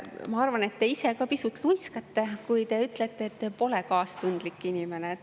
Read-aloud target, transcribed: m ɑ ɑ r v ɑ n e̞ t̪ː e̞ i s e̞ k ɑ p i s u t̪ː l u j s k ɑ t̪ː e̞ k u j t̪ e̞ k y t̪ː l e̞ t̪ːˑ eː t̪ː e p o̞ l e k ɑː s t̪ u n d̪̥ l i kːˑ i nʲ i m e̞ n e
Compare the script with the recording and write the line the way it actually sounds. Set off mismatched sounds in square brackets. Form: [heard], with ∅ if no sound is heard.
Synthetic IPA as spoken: m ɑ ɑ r v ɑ n e̞ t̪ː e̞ i s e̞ k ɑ p i s u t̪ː l u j s k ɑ t̪ː e̞ k u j t̪ e̞ [∅] y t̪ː l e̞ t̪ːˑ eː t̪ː e p o̞ l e k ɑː s t̪ u n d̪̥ l i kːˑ i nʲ i m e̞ n e

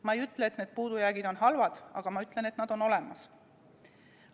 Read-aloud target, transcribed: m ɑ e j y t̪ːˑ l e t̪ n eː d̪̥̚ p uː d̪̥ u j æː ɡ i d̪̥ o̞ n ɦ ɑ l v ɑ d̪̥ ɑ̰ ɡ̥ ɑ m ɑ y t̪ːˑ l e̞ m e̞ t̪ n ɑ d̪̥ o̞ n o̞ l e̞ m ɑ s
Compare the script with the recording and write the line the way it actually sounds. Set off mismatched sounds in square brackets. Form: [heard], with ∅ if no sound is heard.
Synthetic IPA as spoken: m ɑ e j y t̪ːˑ l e t̪ n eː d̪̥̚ p uː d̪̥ u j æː ɡ i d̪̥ o̞ n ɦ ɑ l v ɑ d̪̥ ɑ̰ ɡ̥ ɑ m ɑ y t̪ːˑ l e̞ [n] e̞ t̪ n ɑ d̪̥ o̞ n o̞ l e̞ m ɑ s

